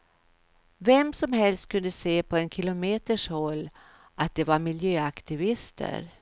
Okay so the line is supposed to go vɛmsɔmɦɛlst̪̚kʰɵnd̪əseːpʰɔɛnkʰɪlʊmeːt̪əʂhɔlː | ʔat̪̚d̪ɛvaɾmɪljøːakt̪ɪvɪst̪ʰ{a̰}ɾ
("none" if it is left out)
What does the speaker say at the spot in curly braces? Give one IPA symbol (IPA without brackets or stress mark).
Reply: ə̰